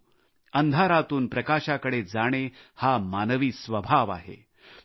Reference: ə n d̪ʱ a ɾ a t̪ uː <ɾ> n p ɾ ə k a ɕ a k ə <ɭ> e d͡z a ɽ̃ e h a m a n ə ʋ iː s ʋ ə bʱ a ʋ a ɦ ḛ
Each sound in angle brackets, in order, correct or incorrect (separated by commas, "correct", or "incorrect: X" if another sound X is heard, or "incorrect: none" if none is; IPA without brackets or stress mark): incorrect: none, incorrect: ɽ